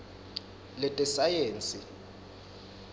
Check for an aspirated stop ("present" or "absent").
absent